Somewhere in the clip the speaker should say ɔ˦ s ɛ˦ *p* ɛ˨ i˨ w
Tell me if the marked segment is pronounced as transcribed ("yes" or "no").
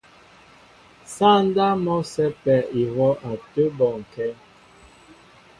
yes